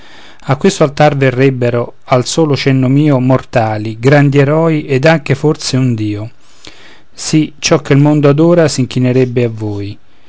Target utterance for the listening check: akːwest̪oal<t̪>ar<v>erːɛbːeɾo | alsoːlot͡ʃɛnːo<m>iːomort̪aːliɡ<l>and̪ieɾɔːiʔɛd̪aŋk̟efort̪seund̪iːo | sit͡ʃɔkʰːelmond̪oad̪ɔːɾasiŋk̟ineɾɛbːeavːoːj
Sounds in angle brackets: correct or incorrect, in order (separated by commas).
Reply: correct, correct, correct, incorrect